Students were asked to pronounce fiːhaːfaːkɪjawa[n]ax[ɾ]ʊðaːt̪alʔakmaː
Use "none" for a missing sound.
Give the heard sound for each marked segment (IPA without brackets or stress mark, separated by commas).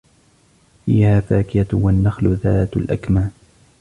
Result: nː, l